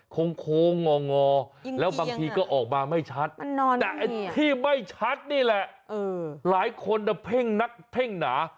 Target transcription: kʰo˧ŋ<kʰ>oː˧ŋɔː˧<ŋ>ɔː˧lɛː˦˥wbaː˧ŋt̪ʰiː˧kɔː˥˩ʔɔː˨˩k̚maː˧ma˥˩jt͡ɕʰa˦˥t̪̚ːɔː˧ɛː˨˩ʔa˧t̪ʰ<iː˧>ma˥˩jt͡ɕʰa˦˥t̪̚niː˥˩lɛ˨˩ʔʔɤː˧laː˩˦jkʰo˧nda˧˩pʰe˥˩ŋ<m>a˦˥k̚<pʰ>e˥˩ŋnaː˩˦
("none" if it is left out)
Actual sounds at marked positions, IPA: kʰ, ŋ, iː˥˩, n, pʰ

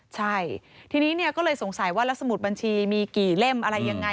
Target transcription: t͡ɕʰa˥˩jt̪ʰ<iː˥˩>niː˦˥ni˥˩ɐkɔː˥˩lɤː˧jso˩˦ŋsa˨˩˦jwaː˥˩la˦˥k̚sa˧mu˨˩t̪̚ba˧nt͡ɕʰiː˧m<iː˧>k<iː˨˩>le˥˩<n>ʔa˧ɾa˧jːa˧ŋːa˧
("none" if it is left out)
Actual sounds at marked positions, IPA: iː˧, iː˧, iː˨˩, m

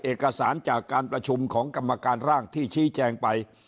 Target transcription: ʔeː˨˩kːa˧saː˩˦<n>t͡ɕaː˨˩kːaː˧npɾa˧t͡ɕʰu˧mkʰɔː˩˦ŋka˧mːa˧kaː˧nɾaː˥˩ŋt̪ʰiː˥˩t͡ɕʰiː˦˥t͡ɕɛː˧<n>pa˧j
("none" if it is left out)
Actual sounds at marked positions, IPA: n, ŋ

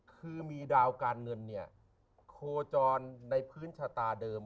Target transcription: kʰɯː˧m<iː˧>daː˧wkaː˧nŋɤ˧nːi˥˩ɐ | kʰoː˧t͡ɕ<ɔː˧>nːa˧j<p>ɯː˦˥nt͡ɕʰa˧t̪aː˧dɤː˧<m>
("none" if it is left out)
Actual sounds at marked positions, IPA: iː˧, ɔː˧, pʰ, m

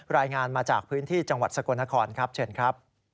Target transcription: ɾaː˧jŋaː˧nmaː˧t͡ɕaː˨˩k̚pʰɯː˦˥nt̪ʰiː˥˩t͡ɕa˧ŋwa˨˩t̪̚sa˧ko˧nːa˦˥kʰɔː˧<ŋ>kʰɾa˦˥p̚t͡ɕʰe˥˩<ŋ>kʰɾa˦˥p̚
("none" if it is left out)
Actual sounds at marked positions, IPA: n, n

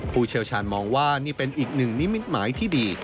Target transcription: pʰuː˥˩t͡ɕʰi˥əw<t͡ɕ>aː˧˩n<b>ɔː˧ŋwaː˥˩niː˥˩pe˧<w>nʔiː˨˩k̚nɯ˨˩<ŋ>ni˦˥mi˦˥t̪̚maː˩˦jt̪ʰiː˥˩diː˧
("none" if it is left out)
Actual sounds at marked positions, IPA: t͡ɕʰ, m, none, ŋ

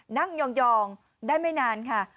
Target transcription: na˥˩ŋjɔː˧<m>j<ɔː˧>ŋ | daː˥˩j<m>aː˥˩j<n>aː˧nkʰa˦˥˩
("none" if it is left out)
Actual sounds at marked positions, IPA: ŋ, ɔː˧, m, n

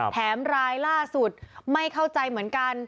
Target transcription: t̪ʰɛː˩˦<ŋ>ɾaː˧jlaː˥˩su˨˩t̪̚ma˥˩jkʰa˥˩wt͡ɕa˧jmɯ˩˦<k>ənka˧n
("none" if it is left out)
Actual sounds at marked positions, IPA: m, none

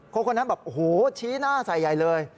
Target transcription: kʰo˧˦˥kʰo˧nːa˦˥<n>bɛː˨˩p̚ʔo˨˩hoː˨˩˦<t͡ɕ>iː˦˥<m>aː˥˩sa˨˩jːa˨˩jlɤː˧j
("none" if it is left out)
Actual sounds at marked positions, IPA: n, t͡ɕʰ, n

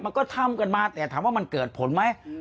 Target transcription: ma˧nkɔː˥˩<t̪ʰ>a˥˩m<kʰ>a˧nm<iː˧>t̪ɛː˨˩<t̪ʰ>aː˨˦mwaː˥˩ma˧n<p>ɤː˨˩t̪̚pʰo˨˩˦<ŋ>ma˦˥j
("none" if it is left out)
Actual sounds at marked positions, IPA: t̪ʰ, k, aː˧, t̪ʰ, k, n

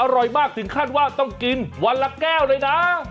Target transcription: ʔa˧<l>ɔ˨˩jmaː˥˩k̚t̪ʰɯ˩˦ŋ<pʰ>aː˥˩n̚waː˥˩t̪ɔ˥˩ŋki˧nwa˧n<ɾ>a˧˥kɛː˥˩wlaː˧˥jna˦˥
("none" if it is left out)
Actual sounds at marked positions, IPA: ɾ, kʰ, l

